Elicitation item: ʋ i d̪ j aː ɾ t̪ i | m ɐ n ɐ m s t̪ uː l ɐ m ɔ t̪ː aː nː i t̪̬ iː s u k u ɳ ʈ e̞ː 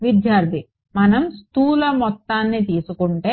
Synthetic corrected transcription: ʋ i d̪ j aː ɾ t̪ i | m ɐ n ɐ m s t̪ uː l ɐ m ɔ t̪ː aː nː i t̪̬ iː s u k u ɳ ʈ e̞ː